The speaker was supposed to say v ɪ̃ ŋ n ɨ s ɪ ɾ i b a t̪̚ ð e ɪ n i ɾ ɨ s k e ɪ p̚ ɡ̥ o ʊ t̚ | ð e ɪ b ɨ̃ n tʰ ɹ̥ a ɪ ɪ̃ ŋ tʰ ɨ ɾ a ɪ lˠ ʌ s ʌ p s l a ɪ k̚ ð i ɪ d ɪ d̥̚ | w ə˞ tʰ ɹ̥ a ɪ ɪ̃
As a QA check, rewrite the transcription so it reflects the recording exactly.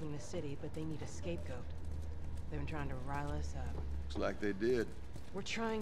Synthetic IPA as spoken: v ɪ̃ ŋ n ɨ s ɪ ɾ i b ʌ t̪̚ ð e ɪ n i ɾ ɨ s k e ɪ p̚ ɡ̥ o ʊ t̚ | ð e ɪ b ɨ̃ n tʰ ɹ̥ a ɪ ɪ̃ ŋ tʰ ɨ ɹ a ɪ lˠ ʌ s ʌ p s l a ɪ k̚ ð e ɪ d ɪ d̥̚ | w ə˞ tʰ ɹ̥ a ɪ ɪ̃